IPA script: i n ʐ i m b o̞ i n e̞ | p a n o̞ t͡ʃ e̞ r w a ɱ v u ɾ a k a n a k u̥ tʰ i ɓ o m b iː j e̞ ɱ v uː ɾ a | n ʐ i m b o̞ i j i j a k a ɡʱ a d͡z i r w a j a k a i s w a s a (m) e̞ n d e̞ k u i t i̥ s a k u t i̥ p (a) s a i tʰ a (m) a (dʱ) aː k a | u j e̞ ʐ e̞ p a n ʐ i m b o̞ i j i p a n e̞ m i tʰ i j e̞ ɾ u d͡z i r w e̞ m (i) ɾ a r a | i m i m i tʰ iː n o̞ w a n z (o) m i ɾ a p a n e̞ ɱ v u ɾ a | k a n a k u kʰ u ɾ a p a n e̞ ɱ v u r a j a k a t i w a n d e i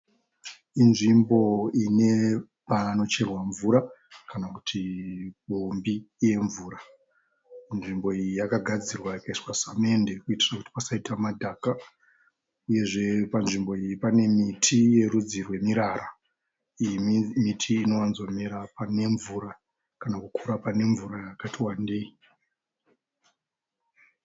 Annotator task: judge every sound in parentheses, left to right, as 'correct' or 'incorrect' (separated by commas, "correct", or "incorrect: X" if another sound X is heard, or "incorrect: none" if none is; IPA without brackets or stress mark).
correct, correct, correct, correct, correct, correct